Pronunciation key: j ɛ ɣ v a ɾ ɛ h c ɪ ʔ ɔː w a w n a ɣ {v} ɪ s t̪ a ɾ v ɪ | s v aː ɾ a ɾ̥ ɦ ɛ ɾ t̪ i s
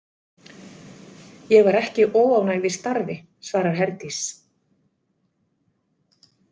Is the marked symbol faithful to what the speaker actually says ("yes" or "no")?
yes